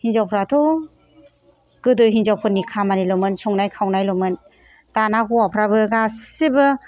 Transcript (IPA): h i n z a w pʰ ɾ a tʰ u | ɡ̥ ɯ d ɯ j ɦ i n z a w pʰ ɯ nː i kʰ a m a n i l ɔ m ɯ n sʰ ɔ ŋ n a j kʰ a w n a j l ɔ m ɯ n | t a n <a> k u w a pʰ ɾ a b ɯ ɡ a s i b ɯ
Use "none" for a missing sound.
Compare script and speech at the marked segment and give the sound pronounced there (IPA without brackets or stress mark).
a